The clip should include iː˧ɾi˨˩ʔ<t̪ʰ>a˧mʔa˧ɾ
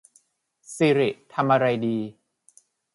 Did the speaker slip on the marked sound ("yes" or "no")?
no